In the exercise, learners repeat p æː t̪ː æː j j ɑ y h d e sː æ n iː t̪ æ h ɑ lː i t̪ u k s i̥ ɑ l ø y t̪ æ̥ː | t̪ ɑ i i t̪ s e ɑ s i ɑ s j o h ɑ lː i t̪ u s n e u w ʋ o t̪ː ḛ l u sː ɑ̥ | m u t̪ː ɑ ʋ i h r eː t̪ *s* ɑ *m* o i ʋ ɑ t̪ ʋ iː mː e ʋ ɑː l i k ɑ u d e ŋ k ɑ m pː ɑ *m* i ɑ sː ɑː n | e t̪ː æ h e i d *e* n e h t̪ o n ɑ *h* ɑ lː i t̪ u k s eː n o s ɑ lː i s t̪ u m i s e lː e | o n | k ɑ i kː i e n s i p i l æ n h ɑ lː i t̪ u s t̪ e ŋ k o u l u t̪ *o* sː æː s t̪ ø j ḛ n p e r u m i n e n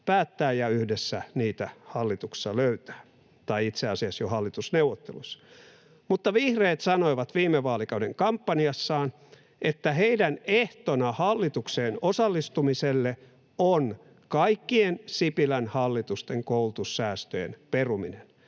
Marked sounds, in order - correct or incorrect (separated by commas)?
correct, incorrect, incorrect, incorrect, correct, incorrect